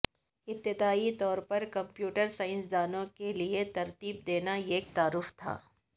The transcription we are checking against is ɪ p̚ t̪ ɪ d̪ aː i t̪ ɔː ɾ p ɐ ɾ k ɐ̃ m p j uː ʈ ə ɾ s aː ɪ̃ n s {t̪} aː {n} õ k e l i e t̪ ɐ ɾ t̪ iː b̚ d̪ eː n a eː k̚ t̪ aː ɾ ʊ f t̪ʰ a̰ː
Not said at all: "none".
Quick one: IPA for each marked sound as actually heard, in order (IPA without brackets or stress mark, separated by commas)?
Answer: d̪, n